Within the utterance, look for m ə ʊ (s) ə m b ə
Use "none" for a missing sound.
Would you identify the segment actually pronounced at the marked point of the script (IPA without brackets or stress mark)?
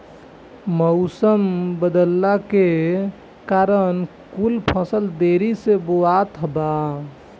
s